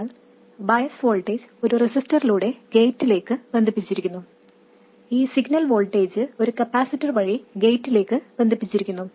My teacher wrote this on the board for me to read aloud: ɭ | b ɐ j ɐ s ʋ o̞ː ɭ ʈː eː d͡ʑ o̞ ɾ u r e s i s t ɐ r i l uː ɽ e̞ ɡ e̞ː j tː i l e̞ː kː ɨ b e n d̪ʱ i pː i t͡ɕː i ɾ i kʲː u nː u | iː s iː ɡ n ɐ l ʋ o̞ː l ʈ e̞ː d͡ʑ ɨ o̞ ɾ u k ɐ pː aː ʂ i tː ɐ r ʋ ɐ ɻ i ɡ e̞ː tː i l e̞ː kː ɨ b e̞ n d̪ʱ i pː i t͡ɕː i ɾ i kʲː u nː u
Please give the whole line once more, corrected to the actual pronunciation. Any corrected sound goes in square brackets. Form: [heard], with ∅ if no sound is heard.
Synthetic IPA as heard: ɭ | b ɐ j ɐ s ʋ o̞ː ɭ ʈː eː d͡ʑ o̞ ɾ u r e s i s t ɐ r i l uː ɽ e̞ ɡ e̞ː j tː i l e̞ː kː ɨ b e n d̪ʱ i pː i t͡ɕː i ɾ i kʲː u nː u | iː s [i] ɡ n ɐ l ʋ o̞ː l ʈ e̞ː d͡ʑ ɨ o̞ ɾ u k ɐ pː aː [s] i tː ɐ r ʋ ɐ ɻ i ɡ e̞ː tː i l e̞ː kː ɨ b e̞ n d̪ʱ i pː i t͡ɕː i ɾ i kʲː u nː u

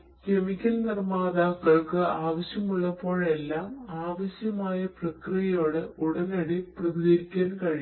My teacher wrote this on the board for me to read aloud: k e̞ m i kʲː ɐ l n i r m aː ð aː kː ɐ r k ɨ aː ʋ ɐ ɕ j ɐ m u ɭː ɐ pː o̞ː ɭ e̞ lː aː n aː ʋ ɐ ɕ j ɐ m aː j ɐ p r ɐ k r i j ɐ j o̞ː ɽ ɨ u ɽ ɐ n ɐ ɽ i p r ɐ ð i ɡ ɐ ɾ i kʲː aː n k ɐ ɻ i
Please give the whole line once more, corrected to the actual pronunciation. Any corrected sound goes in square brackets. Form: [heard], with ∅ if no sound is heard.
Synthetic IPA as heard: k e̞ m i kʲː ɐ l n i r m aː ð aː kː ɐ [ɭ] k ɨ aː ʋ ɐ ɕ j ɐ m u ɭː ɐ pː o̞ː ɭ e̞ lː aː [m] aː ʋ ɐ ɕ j ɐ m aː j ɐ p r ɐ k r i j ɐ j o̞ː ɽ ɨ u ɽ ɐ n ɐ ɽ i p r ɐ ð i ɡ ɐ ɾ i kʲː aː n k ɐ ɻ i

